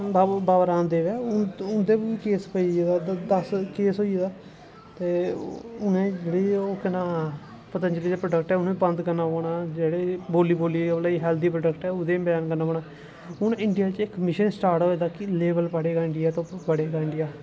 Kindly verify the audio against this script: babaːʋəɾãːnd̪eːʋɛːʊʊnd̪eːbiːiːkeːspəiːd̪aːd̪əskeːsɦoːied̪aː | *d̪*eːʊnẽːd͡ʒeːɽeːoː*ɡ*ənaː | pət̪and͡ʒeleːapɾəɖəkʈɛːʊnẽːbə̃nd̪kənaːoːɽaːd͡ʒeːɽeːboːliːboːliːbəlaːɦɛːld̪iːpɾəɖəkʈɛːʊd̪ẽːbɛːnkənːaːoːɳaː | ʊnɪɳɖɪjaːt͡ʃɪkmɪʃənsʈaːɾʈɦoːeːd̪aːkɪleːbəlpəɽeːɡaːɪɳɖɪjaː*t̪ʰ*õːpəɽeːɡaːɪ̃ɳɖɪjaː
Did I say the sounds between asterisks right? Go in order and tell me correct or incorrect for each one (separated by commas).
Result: incorrect, incorrect, incorrect